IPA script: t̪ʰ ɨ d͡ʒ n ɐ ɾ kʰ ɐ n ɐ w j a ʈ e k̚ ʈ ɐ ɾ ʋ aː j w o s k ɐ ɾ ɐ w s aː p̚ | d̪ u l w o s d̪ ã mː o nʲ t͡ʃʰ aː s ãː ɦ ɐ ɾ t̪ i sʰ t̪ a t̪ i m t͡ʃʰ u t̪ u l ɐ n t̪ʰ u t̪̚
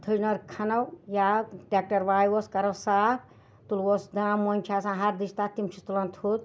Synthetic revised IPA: t̪ʰ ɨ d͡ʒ n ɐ ɾ kʰ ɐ n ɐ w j a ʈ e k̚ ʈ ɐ ɾ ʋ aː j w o s k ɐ ɾ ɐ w s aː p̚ | t̪ u l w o s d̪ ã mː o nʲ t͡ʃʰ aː s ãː ɦ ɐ ɾ d̪ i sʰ t̪ a t̪ i m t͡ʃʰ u t̪ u l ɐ n t̪ʰ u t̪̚